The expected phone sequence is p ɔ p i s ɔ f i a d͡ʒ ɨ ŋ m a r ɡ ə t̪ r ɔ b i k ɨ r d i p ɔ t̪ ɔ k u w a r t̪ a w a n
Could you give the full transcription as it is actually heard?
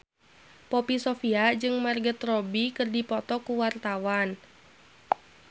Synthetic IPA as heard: p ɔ p i s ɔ f i a d͡ʒ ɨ ŋ m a r ɡ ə t̪ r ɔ b i k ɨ r d i p ɔ t̪ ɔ k u w a r t̪ a w a n